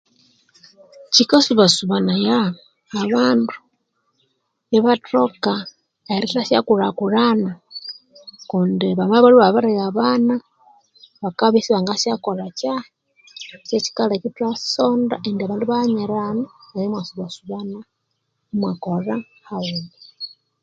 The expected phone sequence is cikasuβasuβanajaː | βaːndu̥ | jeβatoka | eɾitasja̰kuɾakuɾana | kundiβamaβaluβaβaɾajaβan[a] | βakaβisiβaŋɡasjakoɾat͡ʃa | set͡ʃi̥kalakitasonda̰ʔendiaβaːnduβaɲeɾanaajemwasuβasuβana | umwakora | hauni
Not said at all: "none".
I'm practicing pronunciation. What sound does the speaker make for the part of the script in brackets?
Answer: a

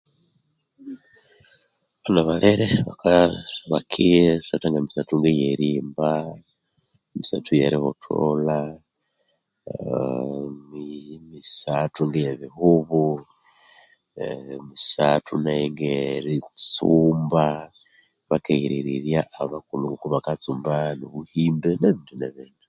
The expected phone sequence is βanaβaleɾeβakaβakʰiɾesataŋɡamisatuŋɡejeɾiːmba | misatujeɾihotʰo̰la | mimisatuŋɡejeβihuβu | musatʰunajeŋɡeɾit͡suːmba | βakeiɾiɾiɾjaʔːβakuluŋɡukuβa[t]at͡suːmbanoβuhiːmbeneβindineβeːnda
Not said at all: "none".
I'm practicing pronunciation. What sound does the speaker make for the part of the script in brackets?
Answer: k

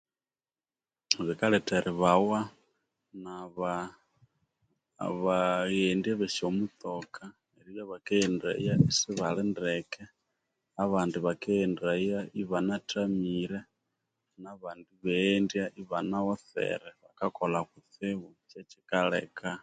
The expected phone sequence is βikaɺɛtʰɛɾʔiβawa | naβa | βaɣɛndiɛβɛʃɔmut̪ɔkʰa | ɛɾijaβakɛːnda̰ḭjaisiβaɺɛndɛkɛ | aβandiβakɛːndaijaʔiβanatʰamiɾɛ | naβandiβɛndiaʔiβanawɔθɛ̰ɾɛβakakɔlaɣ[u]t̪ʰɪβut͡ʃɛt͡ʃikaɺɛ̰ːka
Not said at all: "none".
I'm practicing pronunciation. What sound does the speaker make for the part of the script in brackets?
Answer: u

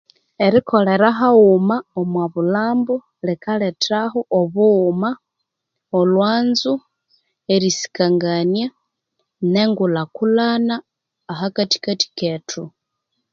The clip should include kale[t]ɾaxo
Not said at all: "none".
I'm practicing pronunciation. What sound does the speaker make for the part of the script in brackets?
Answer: t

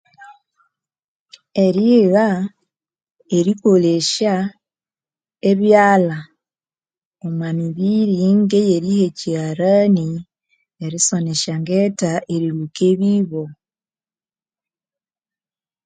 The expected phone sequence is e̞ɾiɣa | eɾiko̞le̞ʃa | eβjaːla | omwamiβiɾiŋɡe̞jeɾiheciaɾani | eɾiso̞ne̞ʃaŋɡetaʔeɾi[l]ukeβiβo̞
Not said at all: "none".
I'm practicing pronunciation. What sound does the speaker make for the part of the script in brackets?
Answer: ɾ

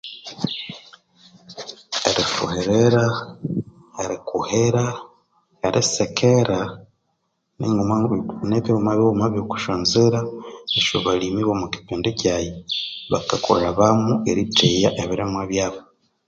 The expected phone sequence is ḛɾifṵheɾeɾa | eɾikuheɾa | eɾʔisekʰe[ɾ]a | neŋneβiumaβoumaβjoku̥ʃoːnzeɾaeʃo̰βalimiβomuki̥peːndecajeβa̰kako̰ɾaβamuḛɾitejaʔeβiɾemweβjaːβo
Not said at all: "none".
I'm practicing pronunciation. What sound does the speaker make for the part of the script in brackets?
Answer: ɾ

